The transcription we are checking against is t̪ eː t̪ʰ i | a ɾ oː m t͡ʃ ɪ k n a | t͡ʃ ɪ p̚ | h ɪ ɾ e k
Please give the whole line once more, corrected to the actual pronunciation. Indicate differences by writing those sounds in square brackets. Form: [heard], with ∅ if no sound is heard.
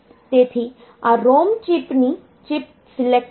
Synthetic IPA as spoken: t̪ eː t̪ʰ i | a ɾ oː m t͡ʃ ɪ [p] n [i] | t͡ʃ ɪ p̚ | [s] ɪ [l] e k